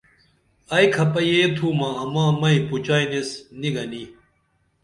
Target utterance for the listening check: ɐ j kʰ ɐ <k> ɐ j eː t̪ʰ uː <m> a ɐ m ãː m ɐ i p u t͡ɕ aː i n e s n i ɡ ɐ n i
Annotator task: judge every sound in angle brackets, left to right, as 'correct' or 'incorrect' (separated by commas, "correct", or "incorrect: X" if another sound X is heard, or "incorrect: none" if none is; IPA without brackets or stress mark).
incorrect: p, correct